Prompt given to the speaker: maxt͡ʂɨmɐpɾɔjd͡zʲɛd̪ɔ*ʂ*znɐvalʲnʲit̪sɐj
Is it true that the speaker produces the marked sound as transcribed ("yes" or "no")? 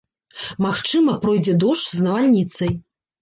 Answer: yes